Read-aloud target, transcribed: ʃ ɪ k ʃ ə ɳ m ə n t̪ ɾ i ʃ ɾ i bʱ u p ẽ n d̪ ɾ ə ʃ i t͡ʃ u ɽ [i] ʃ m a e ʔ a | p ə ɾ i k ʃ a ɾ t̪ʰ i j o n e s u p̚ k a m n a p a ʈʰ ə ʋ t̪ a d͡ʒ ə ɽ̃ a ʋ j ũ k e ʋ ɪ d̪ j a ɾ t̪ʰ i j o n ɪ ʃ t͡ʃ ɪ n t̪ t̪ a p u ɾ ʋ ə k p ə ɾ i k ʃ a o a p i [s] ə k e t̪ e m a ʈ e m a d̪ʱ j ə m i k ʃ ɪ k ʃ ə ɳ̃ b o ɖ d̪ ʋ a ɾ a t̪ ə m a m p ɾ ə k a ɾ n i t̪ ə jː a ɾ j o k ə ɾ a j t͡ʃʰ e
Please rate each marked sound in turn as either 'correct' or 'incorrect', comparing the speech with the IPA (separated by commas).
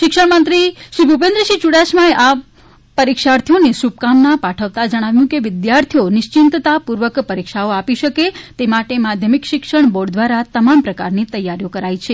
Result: incorrect, incorrect